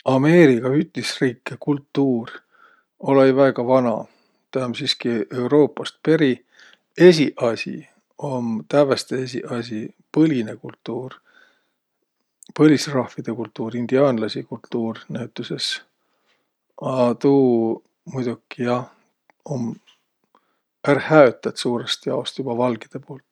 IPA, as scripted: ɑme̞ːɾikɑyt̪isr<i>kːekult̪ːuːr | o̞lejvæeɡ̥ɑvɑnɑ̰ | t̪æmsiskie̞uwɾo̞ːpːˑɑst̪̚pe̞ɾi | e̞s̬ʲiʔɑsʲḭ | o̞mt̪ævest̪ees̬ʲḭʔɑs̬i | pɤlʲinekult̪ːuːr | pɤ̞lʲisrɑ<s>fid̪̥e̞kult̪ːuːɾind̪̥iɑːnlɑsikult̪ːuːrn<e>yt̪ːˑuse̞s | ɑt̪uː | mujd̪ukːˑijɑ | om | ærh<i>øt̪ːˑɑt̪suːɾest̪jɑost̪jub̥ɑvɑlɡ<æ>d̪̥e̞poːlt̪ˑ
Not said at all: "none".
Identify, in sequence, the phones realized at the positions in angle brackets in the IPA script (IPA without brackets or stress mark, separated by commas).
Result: iː, h, æ, æ, i